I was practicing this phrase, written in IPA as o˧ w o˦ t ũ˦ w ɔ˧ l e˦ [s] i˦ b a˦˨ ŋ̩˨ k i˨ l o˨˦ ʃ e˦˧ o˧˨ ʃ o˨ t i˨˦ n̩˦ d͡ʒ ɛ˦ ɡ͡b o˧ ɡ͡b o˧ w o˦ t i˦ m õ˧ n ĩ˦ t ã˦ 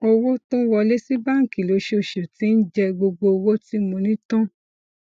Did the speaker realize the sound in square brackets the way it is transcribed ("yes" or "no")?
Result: yes